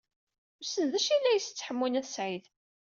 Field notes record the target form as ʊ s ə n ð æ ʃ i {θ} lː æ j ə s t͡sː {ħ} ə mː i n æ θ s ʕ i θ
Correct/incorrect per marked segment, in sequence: incorrect: none, correct

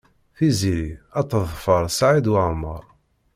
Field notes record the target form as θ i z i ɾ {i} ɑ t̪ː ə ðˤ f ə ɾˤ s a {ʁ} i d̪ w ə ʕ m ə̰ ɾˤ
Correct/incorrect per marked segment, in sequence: correct, incorrect: ʕ

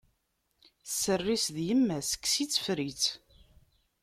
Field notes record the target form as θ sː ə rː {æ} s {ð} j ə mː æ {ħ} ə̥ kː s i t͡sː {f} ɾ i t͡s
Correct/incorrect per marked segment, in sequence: incorrect: i, correct, incorrect: s, correct

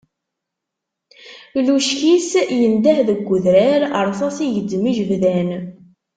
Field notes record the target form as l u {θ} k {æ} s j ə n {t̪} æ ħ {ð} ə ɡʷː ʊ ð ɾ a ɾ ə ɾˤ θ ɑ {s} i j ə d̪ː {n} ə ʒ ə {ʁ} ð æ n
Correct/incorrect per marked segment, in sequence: incorrect: ʃ, incorrect: i, incorrect: d̪, correct, correct, incorrect: m, incorrect: v

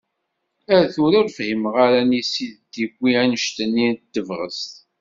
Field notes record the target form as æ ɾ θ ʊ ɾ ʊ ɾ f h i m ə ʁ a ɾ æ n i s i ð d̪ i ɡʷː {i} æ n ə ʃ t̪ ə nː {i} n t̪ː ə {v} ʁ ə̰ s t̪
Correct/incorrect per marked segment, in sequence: correct, correct, correct

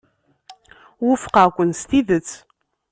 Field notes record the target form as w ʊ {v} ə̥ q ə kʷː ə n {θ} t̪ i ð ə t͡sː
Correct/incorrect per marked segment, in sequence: incorrect: f, incorrect: s

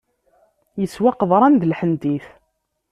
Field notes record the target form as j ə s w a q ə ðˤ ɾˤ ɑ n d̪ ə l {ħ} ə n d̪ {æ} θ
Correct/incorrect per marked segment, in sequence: correct, incorrect: i

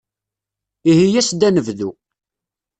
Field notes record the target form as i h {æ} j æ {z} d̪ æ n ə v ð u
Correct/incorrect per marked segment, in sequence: incorrect: i, incorrect: s

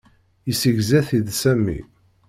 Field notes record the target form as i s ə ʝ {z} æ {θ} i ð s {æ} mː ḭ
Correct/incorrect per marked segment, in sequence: correct, correct, correct

